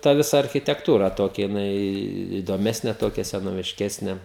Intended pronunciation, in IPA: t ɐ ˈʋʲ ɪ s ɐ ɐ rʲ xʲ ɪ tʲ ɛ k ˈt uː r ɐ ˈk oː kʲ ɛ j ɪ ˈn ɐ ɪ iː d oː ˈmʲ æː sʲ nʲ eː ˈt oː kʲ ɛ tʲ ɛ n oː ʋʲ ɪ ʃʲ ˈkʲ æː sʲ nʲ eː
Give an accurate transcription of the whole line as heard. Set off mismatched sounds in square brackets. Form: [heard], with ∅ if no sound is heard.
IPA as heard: t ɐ ˈʋʲ ɪ s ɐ ɐ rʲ xʲ ɪ tʲ ɛ k ˈt uː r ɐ [ˈt] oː kʲ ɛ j ɪ ˈn ɐ ɪ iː d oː ˈmʲ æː sʲ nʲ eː ˈt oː kʲ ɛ [sʲ] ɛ n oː ʋʲ ɪ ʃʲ ˈkʲ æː sʲ nʲ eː